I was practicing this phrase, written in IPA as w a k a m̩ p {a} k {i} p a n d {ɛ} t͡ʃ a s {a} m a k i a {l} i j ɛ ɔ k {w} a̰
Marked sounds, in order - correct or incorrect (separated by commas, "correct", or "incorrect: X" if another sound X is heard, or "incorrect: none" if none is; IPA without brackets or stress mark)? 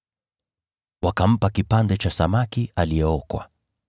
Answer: correct, correct, correct, correct, correct, correct